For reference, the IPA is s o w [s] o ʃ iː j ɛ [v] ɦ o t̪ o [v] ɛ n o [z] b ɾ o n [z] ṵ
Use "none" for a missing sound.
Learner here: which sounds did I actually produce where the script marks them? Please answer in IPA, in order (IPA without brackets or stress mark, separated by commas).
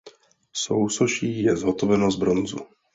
s, z, v, z, z